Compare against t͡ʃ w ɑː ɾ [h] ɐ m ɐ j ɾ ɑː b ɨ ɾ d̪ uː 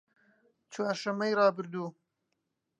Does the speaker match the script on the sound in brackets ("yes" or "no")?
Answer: no